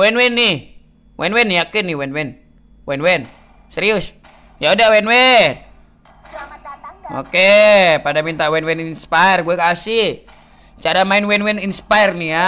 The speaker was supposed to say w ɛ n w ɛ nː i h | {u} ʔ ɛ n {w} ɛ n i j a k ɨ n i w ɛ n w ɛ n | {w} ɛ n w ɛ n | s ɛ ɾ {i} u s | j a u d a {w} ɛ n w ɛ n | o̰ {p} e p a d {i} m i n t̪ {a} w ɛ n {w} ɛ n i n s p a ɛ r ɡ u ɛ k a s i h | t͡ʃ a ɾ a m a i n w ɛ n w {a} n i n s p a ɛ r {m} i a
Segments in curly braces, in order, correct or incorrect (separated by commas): incorrect, correct, correct, correct, correct, incorrect, incorrect, correct, correct, incorrect, incorrect